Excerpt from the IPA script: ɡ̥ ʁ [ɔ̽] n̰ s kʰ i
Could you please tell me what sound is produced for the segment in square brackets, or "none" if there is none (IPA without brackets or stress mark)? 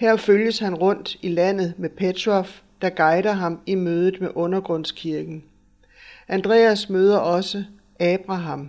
ɔ̽